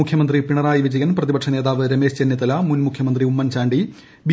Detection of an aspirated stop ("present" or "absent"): present